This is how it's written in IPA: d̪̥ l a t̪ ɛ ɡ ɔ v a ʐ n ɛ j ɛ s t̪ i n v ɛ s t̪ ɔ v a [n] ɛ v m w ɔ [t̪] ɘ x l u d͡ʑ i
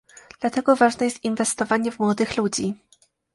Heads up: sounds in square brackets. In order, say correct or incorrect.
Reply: incorrect, incorrect

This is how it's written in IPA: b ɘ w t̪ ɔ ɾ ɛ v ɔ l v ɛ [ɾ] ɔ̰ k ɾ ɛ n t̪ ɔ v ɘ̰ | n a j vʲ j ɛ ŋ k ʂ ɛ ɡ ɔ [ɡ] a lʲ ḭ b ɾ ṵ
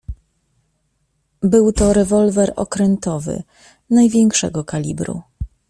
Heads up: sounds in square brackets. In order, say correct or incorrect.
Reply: correct, incorrect

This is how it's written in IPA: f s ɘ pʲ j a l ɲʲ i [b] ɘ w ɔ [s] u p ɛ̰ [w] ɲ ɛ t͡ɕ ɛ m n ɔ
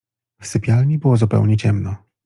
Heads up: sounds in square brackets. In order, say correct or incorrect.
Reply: correct, incorrect, correct

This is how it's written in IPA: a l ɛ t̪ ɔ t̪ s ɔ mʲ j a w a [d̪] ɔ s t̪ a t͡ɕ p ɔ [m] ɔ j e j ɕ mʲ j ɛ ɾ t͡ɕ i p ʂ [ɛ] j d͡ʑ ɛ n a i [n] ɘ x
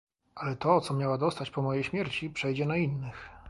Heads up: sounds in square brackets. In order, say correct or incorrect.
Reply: correct, correct, correct, incorrect

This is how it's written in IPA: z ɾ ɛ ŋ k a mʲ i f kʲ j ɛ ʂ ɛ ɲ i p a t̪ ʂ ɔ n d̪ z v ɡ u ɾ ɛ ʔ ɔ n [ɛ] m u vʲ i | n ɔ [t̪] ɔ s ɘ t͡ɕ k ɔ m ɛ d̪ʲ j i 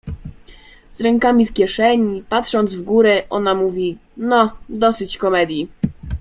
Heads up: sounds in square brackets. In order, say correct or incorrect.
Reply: incorrect, incorrect

